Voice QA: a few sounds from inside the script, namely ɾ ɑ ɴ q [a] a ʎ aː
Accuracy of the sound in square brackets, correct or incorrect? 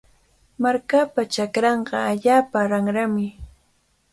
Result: incorrect